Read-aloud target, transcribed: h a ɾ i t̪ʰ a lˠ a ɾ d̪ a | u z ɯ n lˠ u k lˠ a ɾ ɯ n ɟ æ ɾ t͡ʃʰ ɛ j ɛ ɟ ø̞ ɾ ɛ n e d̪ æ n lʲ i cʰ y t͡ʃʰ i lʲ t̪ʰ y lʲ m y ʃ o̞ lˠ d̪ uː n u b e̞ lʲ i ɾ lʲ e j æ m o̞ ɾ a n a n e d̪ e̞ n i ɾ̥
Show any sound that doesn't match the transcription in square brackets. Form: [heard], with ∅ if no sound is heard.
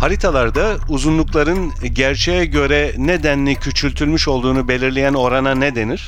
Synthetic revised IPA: h a ɾ i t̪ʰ a lˠ a ɾ d̪ a | u z [u] n lˠ u k lˠ a ɾ ɯ n ɟ æ ɾ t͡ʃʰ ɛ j ɛ ɟ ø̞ ɾ ɛ n e d̪ æ n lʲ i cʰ y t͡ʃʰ [y] lʲ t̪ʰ y lʲ m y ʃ o̞ lˠ d̪ uː n u b e̞ lʲ i ɾ lʲ e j æ [n] o̞ ɾ a n a n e d̪ e̞ n i ɾ̥